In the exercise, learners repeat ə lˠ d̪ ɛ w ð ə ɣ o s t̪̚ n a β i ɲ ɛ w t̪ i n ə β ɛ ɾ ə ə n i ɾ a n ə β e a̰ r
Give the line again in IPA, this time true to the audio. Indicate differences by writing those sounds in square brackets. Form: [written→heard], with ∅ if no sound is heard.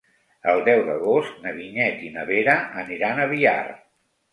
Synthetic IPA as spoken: ə lˠ d̪ ɛ w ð ə ɣ o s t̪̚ n [a→ə] β i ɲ ɛ [w→∅] t̪ i n ə β [ɛ→e] ɾ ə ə n i ɾ a n ə β [e→i] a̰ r